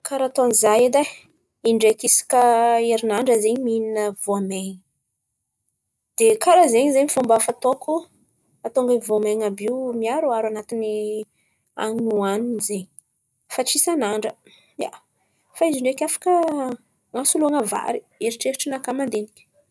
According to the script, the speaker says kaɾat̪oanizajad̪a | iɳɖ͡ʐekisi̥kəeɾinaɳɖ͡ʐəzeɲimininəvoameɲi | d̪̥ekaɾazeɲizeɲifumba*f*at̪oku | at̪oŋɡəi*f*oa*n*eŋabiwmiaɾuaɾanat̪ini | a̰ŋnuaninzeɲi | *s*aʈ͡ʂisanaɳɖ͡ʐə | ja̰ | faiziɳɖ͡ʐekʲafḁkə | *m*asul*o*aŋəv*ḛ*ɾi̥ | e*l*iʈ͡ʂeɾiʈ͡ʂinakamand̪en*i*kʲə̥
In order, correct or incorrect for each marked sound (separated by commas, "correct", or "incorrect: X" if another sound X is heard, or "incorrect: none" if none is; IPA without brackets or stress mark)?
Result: correct, incorrect: v, incorrect: m, incorrect: f, incorrect: ŋ, incorrect: u, incorrect: a̰, incorrect: ɾ, correct